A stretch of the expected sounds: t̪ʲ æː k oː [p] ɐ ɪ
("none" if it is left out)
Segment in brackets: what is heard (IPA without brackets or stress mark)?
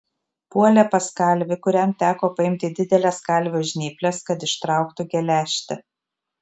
p